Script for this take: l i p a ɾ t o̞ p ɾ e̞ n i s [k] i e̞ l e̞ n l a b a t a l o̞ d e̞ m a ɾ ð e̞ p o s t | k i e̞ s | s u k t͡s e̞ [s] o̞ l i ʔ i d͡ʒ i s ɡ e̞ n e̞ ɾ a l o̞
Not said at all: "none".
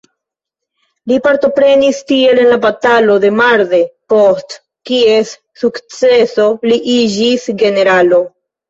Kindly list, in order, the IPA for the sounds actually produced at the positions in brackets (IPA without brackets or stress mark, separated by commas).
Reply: t, s